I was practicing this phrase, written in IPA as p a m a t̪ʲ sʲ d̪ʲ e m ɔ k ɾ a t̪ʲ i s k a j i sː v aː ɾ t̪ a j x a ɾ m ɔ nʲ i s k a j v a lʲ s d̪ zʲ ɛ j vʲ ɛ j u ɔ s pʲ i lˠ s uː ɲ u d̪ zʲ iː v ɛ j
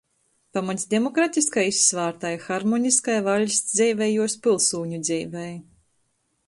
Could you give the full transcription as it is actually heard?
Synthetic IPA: p a m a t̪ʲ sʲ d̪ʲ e m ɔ k ɾ a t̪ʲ i s k a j i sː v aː ɾ t̪ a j x a ɾ m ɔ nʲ i s k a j v a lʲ s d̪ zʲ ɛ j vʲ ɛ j u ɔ s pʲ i lˠ s uː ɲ u d̪ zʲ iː v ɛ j